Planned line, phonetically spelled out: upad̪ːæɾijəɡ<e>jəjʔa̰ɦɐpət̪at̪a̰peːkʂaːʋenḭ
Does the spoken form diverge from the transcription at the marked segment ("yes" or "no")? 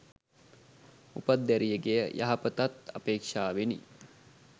no